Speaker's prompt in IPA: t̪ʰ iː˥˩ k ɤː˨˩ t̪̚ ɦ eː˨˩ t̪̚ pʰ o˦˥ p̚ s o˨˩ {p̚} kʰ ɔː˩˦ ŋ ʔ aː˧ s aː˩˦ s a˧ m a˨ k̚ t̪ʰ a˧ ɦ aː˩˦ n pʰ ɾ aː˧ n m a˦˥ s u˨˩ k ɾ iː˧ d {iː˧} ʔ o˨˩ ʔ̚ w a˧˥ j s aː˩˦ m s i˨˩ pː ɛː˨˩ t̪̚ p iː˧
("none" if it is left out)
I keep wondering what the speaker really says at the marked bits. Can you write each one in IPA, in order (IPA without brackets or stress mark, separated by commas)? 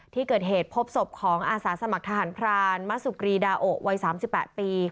p̚, aː˧